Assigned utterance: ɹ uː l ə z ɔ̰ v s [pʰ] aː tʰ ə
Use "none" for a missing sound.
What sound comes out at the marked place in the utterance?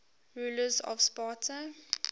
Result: p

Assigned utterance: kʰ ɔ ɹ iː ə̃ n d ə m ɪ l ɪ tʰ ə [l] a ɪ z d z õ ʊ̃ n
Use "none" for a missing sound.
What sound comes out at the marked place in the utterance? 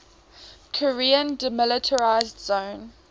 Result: ɹ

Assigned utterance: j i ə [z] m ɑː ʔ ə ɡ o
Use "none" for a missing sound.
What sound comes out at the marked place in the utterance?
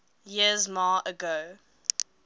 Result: z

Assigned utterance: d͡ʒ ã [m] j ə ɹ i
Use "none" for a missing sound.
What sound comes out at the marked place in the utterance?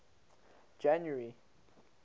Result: n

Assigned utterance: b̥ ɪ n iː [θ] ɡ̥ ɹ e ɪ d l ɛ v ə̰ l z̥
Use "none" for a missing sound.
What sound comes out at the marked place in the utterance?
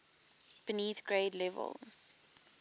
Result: θ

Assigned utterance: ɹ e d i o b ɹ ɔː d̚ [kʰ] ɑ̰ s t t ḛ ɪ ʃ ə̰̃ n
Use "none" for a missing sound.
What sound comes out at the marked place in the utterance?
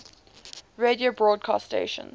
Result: kʰ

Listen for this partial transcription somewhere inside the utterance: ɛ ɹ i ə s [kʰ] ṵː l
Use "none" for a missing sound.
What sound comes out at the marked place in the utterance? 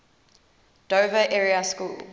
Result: k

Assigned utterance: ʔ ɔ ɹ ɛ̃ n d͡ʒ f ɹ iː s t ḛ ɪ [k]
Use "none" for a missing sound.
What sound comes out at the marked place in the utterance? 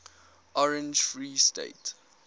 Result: t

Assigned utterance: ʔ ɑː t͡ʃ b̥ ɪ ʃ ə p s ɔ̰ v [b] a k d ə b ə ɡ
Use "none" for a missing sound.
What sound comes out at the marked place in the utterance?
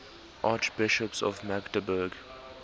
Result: m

